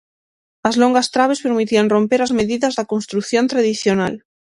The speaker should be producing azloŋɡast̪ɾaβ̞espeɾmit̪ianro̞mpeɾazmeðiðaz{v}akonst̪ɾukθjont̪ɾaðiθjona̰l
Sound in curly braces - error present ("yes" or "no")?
yes